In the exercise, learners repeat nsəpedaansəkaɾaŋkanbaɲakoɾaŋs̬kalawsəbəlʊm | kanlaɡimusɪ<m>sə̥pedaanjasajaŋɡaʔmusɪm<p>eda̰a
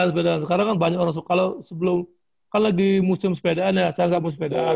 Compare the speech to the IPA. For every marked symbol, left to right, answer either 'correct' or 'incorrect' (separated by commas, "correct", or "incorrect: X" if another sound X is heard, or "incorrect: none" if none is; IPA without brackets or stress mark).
correct, correct